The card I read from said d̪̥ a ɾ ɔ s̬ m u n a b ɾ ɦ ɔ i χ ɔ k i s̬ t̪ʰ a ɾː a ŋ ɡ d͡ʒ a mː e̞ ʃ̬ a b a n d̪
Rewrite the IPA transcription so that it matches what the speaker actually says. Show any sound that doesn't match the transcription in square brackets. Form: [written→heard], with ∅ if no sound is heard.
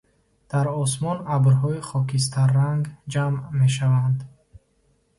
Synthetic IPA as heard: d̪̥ a ɾ ɔ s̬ m [u→ɔ] n a b ɾ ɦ ɔ i χ ɔ k i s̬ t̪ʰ a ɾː a ŋ ɡ d͡ʒ a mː e̞ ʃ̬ a [b→v] a n d̪